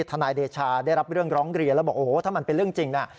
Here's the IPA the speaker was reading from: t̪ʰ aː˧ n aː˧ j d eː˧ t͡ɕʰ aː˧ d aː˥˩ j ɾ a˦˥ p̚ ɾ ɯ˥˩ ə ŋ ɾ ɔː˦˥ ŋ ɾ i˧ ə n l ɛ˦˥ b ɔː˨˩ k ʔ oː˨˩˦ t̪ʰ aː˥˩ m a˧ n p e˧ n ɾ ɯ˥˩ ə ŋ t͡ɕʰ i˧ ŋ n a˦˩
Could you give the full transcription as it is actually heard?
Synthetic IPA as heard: t̪ʰ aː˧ n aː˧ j d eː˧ t͡ɕʰ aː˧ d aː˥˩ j ɾ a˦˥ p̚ ɾ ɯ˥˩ ə ŋ ɾ ɔː˦˥ ŋ ɾ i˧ ə n l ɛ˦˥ b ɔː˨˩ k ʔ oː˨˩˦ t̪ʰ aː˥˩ m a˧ n p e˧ n ɾ ɯ˥˩ ə ŋ t͡ɕ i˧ ŋ n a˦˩